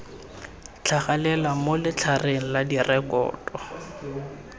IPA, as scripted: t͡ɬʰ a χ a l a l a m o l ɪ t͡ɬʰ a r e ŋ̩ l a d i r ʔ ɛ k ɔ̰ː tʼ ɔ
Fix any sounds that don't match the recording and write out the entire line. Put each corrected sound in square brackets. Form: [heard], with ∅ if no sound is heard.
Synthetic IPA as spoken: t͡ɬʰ a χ a l [ɛ] l a m o l ɪ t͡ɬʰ a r e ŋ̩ l a d i r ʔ ɛ k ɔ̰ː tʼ ɔ